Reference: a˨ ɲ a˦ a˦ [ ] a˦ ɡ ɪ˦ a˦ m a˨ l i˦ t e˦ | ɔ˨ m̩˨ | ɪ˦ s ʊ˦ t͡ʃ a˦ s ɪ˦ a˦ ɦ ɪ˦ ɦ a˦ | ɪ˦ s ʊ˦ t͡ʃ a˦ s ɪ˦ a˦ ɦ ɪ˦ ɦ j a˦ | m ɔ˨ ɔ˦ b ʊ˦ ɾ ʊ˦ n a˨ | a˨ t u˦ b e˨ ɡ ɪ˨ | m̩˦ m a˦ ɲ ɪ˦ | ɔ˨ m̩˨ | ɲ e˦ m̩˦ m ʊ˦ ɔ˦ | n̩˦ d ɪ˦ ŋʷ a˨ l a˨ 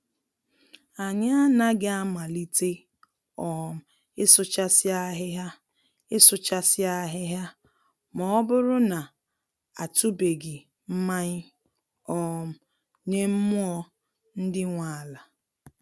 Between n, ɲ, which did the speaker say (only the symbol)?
n